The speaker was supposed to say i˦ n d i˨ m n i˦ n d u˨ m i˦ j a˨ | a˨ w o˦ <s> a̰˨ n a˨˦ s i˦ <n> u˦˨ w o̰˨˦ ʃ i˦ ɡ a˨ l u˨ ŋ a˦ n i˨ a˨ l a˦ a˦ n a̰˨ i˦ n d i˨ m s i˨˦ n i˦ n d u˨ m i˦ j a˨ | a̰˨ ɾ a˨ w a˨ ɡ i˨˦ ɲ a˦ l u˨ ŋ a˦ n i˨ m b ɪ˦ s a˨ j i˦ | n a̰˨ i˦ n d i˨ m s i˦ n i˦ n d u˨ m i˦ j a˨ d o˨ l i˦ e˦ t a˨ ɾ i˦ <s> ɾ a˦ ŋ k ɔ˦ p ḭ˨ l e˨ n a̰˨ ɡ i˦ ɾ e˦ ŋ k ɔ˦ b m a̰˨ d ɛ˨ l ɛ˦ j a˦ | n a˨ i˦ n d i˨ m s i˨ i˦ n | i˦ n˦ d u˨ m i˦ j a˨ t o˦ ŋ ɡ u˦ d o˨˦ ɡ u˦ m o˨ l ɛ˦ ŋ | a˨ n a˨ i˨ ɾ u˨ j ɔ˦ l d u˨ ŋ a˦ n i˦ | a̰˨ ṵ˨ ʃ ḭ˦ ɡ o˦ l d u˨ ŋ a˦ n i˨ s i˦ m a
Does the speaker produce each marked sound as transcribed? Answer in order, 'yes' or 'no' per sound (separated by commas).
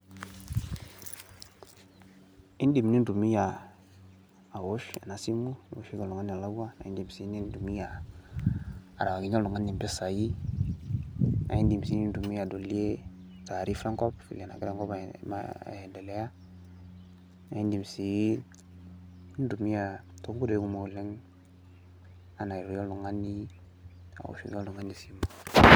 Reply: no, no, no